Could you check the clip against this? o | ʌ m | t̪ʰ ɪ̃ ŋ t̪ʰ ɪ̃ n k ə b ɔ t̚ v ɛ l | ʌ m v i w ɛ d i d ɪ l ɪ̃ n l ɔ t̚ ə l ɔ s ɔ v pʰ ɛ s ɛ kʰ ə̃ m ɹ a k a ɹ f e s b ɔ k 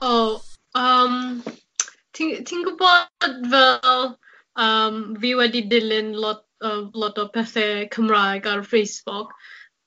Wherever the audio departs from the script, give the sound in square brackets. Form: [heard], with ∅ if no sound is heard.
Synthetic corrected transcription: o | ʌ m | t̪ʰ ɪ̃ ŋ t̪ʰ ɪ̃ [ŋ] k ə b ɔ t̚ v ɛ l | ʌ m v i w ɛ d i d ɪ l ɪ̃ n l ɔ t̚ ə l ɔ [t] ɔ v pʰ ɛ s ɛ kʰ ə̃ m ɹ a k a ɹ f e s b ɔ k